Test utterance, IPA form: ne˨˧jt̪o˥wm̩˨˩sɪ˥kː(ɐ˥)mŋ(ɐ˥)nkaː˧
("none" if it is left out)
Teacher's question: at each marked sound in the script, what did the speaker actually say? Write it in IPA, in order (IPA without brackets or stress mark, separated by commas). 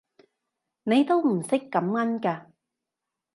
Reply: ɐ˨˥, ɐ˥